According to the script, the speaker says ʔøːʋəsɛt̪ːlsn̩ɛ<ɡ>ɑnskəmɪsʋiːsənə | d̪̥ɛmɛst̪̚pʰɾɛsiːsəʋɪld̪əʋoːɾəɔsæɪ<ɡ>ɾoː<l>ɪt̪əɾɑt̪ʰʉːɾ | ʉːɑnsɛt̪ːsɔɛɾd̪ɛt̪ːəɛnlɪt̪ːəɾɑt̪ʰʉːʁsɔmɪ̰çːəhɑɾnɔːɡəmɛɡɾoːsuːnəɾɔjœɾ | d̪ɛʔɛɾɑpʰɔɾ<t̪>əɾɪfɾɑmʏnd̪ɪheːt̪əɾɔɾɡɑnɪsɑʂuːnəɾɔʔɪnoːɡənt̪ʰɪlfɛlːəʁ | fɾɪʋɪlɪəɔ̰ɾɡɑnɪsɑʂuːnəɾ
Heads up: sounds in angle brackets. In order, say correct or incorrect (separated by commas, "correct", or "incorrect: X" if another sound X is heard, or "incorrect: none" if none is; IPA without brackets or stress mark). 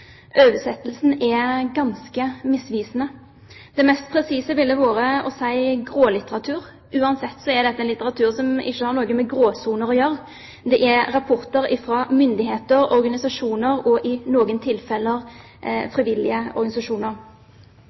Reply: correct, correct, correct, correct